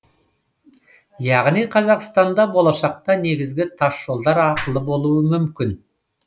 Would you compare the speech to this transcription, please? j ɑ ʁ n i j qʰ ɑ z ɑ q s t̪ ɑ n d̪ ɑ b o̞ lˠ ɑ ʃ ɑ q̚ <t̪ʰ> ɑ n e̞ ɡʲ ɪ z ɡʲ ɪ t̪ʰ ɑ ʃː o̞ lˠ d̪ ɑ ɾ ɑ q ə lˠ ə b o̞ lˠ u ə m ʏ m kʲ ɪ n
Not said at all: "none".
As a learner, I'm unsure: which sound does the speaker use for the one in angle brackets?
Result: t̪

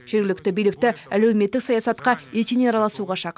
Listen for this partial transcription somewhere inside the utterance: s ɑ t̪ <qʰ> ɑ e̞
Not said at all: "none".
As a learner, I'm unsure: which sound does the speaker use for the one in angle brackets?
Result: q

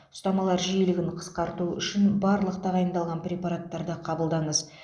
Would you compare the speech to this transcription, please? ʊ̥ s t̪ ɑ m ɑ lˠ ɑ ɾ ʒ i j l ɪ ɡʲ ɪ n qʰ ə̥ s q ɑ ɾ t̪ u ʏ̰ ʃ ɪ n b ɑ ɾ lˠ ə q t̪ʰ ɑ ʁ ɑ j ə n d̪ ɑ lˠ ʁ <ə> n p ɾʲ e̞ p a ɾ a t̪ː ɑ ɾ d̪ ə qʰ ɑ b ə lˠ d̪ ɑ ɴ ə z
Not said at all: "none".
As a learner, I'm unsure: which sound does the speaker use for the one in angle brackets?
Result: ɑ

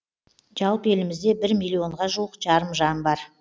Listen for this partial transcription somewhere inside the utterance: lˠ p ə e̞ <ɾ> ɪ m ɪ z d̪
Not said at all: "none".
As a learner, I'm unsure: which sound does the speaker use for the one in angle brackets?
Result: l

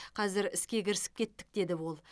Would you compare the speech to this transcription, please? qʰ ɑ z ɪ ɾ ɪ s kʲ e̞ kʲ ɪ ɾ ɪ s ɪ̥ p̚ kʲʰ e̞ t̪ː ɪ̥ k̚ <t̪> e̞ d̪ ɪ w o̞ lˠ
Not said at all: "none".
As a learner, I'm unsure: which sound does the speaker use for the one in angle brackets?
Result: d̪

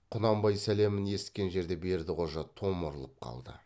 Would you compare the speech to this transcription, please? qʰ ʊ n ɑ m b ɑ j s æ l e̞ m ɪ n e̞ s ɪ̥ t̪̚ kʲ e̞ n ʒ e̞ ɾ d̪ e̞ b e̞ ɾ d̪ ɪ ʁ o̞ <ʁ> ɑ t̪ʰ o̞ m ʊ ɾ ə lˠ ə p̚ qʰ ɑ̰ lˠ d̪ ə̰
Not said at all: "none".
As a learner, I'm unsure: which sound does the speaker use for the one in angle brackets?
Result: ʒ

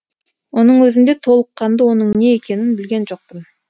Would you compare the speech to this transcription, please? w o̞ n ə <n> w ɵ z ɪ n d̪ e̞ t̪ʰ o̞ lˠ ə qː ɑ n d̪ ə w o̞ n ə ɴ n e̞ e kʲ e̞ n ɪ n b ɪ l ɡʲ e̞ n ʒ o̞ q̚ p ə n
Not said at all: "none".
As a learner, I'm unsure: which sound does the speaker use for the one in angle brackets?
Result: ɴ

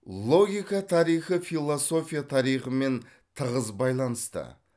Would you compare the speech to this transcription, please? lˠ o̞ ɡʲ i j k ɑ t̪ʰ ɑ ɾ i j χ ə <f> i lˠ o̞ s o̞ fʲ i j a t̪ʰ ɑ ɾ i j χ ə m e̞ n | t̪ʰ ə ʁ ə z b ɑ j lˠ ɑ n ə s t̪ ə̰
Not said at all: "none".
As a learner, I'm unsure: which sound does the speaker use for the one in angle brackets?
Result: f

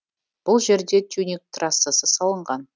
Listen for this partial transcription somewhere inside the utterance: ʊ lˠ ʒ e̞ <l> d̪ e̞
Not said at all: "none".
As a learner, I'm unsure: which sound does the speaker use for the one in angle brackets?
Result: ɾ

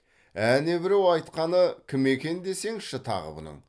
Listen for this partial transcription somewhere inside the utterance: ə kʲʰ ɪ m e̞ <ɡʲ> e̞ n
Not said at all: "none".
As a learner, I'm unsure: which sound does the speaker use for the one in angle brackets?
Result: kʲ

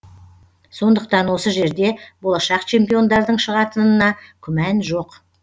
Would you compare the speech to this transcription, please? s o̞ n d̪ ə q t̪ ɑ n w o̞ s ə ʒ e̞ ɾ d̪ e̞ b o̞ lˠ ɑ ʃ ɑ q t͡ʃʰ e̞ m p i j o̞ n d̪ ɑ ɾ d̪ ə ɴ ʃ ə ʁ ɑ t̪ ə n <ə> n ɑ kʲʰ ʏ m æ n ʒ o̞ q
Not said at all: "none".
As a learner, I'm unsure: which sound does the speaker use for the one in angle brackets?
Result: ə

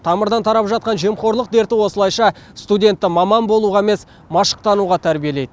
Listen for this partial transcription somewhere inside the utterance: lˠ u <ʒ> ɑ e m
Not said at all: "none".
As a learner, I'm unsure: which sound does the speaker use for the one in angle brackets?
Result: ʁ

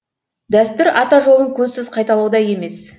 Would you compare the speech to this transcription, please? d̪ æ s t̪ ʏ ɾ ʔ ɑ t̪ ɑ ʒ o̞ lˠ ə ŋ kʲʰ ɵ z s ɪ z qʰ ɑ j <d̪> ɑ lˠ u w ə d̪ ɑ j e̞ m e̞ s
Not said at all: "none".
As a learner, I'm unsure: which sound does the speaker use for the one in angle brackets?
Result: t̪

